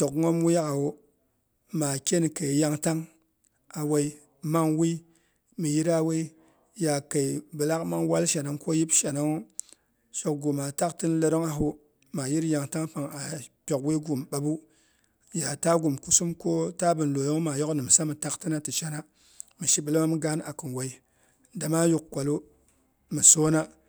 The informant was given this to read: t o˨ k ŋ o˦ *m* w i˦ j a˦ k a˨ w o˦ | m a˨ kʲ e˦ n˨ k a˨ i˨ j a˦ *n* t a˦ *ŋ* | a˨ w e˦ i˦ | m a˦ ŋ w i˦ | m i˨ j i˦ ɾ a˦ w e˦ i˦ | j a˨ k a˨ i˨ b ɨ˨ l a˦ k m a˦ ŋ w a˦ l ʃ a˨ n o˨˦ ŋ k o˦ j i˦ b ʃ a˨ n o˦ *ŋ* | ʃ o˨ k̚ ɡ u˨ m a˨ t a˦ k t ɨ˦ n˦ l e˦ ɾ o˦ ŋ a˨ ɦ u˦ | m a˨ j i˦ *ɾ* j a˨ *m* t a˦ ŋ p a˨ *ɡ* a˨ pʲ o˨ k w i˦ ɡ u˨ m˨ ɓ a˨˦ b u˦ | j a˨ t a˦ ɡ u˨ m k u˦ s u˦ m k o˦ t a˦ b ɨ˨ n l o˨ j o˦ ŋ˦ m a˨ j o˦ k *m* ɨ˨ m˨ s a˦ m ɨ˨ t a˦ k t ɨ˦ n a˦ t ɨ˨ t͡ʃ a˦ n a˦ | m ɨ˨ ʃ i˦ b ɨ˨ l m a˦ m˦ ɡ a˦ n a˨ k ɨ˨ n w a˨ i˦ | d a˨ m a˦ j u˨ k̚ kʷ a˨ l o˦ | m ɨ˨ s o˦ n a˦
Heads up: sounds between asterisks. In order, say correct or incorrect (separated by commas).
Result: correct, incorrect, correct, correct, correct, incorrect, incorrect, incorrect